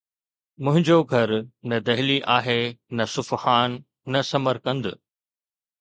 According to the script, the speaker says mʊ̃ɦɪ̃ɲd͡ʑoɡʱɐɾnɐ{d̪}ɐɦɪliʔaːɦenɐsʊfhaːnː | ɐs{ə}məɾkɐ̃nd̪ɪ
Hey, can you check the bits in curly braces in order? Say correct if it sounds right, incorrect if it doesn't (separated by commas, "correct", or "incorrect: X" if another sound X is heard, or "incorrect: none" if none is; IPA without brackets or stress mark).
correct, incorrect: ɐ